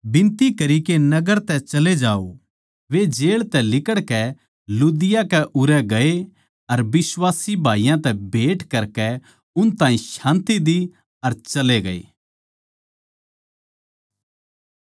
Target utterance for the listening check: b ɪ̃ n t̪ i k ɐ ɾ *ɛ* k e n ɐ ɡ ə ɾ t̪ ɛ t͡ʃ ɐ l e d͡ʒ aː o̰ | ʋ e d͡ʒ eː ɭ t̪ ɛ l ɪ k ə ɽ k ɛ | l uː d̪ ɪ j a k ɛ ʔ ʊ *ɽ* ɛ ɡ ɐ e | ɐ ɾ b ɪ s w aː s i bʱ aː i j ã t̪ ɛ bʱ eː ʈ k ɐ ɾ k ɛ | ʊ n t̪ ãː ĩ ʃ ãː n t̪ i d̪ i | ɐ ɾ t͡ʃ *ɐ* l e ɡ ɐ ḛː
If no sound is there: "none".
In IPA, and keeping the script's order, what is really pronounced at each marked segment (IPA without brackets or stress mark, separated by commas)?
i, ɾ, ɐ